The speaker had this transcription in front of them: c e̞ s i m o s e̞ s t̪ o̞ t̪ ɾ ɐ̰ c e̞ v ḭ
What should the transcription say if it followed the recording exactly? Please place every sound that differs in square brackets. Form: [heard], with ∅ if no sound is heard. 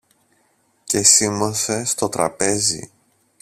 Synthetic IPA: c e̞ s i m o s e̞ s t̪ o̞ t̪ ɾ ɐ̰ [p] e̞ [z] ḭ